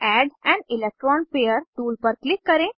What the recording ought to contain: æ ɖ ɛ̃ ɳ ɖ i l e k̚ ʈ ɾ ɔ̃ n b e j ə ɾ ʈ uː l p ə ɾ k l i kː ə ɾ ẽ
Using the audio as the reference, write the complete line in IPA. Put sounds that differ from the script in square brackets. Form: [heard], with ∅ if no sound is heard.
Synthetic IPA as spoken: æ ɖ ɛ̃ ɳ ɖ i l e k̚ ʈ ɾ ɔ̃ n [p] e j ə ɾ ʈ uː l p ə ɾ k l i kː ə ɾ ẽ